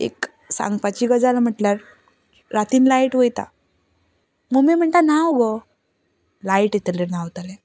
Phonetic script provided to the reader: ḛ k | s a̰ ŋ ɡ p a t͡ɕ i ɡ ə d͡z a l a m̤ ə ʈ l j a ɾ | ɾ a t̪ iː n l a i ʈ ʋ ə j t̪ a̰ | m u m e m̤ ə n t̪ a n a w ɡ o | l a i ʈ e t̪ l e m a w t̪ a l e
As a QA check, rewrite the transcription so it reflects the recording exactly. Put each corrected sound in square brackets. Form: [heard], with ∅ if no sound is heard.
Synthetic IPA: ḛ k | s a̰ ŋ ɡ p a t͡ɕ i ɡ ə d͡z a l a m̤ ə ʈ l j a ɾ | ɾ a t̪ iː n l a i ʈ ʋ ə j t̪ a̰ | m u m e m̤ ə [ɳ] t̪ a n a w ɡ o | l a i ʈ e t̪ l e [n] a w t̪ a l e